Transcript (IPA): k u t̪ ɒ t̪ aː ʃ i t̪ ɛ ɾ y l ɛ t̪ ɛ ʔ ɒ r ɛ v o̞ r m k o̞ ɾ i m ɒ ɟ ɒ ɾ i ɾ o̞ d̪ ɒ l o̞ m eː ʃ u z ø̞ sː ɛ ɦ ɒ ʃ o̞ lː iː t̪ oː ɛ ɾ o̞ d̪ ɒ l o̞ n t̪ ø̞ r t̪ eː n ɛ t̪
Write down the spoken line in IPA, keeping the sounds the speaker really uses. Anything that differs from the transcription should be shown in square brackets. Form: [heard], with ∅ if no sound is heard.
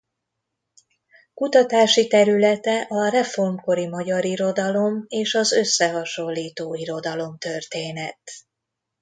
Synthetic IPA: k u t̪ ɒ t̪ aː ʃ i t̪ ɛ ɾ y l ɛ t̪ ɛ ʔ ɒ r ɛ [f] o̞ r m k o̞ ɾ i m ɒ ɟ ɒ ɾ i ɾ o̞ d̪ ɒ l o̞ m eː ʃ [ɒ] z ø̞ sː ɛ ɦ ɒ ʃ o̞ lː iː t̪ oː [i] ɾ o̞ d̪ ɒ l o̞ [m] t̪ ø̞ r t̪ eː n ɛ t̪